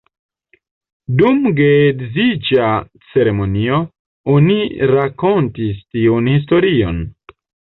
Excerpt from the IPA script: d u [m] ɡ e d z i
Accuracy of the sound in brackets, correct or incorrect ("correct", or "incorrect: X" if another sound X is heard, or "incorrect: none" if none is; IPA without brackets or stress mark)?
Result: correct